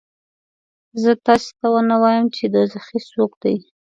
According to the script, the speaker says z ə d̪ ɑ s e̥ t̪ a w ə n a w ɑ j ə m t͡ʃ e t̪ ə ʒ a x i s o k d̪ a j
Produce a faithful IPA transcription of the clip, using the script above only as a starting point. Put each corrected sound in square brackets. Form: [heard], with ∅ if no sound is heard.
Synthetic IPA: z ə [t̪] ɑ s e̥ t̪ a w ə n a w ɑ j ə m t͡ʃ e [d̪] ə [z] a x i s o k d̪ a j